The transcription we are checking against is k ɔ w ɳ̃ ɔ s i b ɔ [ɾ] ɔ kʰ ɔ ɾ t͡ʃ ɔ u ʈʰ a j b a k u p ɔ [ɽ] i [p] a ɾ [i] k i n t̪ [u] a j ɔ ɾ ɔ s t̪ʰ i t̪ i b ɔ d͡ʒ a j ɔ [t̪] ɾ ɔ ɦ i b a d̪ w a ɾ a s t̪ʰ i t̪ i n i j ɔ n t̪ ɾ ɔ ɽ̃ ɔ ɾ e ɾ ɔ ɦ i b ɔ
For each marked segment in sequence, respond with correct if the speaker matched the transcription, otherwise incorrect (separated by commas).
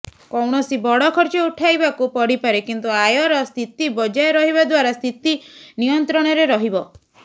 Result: incorrect, correct, correct, incorrect, correct, incorrect